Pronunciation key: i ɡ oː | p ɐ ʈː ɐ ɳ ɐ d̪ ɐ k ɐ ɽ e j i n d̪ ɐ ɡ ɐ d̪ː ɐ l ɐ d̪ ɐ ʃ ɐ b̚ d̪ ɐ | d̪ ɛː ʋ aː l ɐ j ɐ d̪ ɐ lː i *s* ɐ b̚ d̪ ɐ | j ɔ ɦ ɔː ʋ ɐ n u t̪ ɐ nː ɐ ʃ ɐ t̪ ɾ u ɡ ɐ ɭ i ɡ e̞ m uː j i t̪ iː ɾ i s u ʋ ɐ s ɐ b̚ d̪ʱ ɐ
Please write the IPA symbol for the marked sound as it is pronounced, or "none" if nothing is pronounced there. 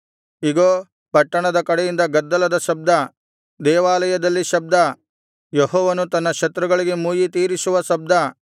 ʃ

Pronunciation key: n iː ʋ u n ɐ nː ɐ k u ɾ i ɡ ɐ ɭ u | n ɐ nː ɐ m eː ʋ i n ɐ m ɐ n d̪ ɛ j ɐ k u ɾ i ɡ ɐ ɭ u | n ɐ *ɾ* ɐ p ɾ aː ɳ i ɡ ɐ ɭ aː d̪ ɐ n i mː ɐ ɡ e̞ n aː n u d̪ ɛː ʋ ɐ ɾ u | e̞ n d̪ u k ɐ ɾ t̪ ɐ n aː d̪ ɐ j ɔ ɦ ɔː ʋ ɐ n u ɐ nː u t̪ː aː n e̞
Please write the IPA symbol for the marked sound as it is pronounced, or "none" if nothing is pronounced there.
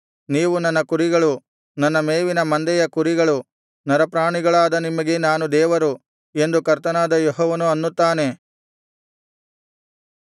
ɾ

